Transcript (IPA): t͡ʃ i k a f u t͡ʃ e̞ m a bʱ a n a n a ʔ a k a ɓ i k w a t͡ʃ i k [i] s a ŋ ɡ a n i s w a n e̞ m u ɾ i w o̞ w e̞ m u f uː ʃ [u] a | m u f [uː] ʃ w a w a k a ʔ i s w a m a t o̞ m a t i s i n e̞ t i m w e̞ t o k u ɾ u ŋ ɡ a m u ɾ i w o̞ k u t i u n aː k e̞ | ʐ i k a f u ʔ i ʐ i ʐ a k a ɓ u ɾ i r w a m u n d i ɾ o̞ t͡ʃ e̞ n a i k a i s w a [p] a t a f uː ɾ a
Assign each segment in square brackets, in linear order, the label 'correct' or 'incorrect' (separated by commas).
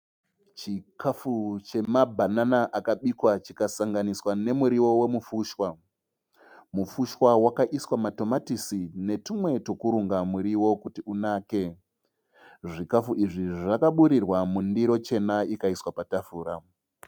incorrect, incorrect, incorrect, correct